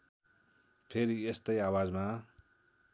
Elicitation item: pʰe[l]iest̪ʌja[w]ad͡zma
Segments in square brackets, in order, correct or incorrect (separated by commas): incorrect, correct